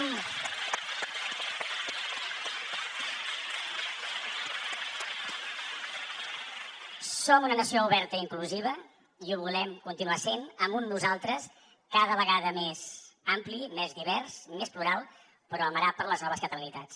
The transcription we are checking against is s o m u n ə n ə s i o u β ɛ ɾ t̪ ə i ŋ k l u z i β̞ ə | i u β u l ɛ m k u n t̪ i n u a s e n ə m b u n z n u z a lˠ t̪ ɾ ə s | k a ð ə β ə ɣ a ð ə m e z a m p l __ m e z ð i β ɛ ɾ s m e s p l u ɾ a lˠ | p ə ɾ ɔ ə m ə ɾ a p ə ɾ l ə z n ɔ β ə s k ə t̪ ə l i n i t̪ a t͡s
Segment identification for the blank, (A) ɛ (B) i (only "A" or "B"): B